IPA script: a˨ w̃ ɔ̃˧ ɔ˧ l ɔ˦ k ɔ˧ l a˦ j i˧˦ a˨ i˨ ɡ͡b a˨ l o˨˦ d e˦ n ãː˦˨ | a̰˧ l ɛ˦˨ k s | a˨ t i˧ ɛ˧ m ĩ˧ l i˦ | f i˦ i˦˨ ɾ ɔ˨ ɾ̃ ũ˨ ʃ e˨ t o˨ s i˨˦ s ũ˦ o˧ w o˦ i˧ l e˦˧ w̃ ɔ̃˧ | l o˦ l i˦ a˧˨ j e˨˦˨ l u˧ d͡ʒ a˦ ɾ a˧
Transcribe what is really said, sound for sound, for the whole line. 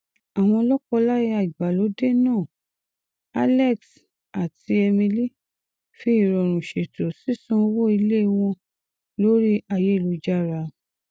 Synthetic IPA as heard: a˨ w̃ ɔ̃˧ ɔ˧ l ɔ˦ k ɔ˧ l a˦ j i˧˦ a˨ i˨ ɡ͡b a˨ l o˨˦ d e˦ n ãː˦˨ | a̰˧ l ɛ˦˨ k s | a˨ t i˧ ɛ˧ m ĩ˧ l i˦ | f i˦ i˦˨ ɾ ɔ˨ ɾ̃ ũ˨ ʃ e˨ t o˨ s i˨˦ s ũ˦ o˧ w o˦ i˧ l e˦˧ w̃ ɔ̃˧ | l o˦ ɾ i˦ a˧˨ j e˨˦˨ l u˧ d͡ʒ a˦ ɾ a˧